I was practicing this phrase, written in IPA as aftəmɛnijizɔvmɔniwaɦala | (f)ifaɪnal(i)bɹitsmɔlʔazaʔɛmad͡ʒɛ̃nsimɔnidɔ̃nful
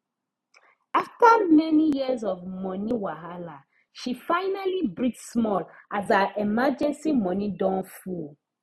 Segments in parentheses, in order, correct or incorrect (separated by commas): incorrect, correct